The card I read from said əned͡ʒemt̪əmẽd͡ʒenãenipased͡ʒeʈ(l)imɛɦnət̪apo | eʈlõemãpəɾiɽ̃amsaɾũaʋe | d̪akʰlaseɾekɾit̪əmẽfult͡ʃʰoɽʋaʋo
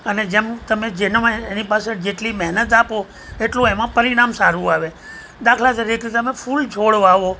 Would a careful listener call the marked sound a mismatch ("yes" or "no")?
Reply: no